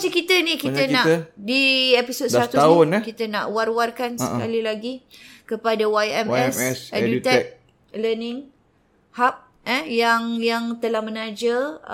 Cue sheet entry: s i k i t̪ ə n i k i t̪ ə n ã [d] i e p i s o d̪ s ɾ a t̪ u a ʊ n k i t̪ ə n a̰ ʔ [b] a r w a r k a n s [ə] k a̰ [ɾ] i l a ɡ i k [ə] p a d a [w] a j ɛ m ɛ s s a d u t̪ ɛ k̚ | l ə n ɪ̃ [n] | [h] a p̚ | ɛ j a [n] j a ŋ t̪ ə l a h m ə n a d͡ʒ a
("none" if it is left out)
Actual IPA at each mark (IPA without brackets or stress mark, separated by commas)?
d, w, ə, l, ə, w, ŋ, h, ŋ